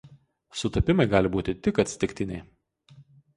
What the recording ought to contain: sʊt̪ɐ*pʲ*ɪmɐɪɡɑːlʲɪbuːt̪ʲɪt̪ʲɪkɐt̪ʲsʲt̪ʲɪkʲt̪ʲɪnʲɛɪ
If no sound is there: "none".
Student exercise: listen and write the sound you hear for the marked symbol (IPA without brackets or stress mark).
pʲ